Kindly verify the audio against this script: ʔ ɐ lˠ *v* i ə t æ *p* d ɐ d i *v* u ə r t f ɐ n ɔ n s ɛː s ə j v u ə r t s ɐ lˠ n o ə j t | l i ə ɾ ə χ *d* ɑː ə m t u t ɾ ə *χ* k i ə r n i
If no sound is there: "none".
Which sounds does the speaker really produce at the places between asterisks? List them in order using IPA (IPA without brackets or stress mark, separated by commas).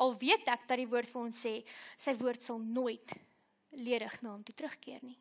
v, k, v, n, χ